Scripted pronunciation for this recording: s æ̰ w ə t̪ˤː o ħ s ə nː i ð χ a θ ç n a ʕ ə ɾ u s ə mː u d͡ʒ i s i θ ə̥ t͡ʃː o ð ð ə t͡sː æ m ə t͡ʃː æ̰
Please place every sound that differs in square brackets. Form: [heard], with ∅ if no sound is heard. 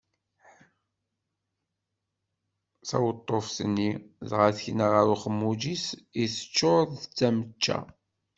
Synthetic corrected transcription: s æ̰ w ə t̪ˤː o [f] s ə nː i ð [ʁ] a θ ç n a [ʁ] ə ɾ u [χ] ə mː u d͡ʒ i s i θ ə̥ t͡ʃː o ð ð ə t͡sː æ m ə t͡ʃː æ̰